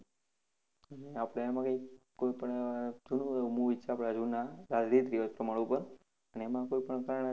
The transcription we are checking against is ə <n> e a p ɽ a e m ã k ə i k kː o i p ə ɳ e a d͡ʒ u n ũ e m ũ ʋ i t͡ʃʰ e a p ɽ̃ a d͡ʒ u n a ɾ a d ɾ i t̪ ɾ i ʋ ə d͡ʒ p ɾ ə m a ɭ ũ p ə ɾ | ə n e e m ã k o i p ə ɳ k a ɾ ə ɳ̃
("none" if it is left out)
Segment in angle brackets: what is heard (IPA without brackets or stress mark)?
n